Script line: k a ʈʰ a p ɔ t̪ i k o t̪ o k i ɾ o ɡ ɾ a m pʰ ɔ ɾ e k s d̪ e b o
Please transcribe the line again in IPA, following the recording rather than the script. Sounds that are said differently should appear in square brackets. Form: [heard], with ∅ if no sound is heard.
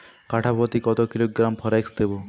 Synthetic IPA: k a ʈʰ a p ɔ t̪ i k [ɔ] t̪ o k i [l] o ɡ ɾ a m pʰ ɔ ɾ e k s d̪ e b o